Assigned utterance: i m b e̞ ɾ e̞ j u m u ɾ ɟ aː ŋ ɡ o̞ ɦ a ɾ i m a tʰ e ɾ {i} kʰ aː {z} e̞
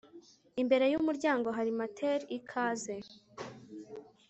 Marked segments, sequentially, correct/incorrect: correct, correct

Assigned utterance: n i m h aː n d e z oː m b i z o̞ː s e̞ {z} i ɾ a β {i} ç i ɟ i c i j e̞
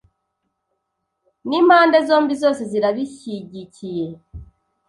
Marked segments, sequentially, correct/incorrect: correct, correct

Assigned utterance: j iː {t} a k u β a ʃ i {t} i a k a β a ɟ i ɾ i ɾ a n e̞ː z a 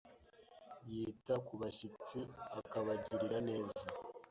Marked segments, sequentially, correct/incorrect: correct, incorrect: t͡s

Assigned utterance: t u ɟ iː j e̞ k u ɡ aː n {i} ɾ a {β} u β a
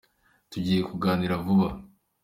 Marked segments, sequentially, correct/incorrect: correct, incorrect: v

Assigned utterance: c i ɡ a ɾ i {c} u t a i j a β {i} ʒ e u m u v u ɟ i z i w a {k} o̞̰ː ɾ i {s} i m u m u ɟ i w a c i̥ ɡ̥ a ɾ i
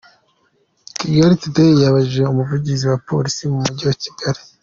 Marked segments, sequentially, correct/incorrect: incorrect: t, incorrect: a, incorrect: p, correct

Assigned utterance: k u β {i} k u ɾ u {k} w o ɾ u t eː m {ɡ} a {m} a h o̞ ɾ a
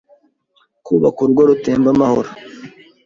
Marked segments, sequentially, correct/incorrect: incorrect: a, incorrect: ɡ, incorrect: b, correct

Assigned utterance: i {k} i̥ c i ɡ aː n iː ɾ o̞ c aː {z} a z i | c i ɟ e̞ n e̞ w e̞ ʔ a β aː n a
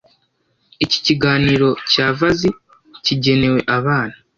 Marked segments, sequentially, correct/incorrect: incorrect: c, incorrect: v

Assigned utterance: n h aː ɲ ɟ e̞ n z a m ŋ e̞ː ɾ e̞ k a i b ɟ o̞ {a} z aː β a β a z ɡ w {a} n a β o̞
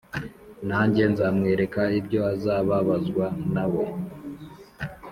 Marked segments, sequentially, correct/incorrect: correct, correct

